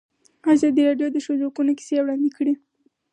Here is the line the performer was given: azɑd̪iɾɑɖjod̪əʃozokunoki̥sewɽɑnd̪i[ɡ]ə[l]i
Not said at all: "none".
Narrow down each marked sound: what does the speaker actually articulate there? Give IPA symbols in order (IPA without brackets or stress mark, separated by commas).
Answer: k, ɽ